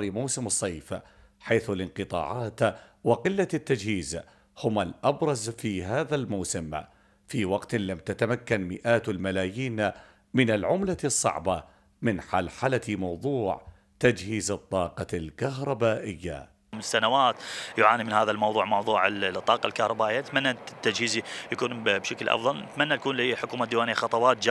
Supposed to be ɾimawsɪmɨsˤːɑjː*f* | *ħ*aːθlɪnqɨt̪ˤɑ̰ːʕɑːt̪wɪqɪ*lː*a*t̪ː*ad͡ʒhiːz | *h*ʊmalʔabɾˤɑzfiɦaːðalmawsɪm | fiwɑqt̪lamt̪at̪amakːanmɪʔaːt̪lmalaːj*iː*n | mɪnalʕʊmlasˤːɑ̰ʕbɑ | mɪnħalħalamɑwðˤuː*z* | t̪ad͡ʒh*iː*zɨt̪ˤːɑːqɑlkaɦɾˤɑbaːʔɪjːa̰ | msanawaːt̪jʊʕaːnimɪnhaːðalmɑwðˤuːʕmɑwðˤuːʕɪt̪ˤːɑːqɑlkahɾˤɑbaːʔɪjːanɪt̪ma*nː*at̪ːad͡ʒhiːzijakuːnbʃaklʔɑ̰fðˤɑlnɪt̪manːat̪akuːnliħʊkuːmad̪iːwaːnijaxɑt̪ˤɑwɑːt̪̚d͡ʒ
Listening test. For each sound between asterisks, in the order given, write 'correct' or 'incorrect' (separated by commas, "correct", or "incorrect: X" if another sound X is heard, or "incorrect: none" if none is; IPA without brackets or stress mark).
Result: correct, correct, correct, correct, correct, correct, incorrect: ʕ, correct, correct